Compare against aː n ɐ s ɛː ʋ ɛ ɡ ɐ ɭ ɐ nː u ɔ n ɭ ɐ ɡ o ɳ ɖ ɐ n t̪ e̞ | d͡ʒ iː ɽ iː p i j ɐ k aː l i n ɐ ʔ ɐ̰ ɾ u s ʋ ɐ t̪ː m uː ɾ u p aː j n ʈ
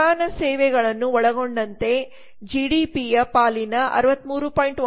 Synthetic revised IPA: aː n ɐ s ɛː ʋ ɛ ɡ ɐ ɭ ɐ nː u ɔ ɭ ɐ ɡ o ɳ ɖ ɐ n t̪ e̞ | d͡ʒ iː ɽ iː p i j ɐ p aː l i n ɐ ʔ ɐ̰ ɾ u ʋ ɐ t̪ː m uː ɾ u p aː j ɳ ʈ